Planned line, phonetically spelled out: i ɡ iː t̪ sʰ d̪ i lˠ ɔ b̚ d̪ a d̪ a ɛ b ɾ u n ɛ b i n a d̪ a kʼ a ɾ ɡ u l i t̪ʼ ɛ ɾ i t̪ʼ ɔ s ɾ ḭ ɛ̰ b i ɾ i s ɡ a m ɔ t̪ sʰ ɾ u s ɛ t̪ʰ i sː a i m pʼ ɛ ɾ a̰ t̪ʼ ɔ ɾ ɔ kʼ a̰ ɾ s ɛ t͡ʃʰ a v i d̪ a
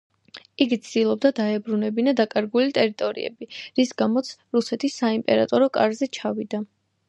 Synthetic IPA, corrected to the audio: i ɡ i t̪ sʰ d̪ i lˠ ɔ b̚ d̪ a d̪ a ɛ b ɾ u n ɛ b i n a d̪ a kʼ a ɾ ɡ u l i t̪ʼ ɛ ɾ i t̪ʼ ɔ ɾ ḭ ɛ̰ b i ɾ i s ɡ a m ɔ t̪ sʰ ɾ u s ɛ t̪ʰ i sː a i m pʼ ɛ ɾ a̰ t̪ʼ ɔ ɾ ɔ kʼ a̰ ɾ z ɛ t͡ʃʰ a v i d̪ a